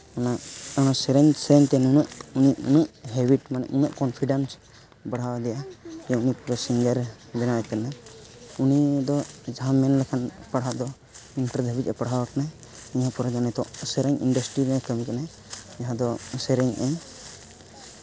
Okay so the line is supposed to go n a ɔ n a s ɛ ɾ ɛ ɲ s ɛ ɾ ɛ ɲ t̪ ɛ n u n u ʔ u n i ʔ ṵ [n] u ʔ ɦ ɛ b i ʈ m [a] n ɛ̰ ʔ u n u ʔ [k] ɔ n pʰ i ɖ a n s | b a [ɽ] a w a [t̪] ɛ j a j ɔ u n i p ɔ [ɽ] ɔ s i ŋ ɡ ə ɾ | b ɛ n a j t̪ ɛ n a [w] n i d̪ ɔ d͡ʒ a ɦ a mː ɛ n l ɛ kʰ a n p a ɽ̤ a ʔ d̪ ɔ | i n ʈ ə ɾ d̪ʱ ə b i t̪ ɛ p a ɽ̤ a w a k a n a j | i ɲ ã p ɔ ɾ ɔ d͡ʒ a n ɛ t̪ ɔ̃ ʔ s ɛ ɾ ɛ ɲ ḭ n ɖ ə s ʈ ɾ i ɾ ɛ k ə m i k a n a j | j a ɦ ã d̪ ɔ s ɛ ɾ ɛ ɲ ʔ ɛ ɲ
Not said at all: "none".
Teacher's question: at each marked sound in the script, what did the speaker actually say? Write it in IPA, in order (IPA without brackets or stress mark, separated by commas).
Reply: n, a, k, ɽ, d̪, ɾ, u